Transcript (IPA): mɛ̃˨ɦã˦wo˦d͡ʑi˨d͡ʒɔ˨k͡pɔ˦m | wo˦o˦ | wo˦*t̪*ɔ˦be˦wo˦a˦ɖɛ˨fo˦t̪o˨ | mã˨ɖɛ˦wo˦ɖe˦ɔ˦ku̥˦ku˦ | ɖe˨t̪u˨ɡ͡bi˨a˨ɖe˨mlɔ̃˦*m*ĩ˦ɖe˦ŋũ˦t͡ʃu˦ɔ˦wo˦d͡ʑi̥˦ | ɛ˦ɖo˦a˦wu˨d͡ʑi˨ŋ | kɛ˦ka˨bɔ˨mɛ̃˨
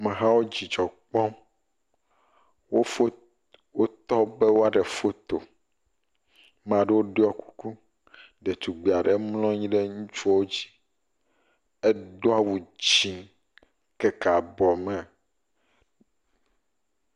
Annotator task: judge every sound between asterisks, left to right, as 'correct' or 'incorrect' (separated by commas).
correct, incorrect